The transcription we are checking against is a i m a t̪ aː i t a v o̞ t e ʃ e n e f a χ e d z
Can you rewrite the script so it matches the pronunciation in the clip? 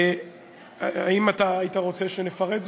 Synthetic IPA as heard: a i m a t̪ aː i t a ʁ o̞ t͡s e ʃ e n e f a ʁ e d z